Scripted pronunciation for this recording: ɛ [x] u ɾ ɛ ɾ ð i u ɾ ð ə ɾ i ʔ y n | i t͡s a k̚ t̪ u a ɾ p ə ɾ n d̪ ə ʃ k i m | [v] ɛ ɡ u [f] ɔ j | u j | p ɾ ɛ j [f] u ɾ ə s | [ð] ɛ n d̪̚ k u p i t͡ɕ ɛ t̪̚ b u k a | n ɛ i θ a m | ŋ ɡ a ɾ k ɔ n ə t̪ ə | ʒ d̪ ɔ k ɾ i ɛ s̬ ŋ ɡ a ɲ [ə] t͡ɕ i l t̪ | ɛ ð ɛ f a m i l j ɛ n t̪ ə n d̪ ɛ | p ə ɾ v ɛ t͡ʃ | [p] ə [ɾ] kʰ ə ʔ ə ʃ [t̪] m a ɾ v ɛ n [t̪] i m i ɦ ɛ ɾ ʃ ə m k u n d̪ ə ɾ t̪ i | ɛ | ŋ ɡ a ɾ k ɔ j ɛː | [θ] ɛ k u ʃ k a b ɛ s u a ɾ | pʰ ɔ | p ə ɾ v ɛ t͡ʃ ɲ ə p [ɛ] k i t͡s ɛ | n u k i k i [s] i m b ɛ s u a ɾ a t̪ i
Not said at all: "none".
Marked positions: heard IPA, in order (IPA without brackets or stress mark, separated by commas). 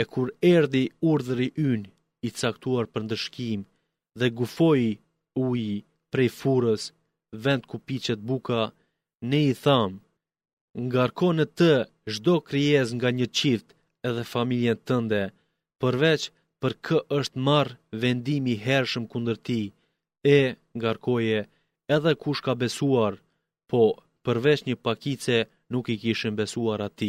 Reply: k, ð, f, f, v, ə, p, ɾ, t̪, d̪, ð, a, ʃ